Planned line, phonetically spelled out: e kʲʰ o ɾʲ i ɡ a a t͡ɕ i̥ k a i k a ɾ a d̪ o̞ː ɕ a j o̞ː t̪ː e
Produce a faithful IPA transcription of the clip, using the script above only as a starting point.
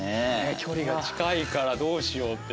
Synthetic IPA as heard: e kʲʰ o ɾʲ i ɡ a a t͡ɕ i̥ k a i k a ɾ a d̪ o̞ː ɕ i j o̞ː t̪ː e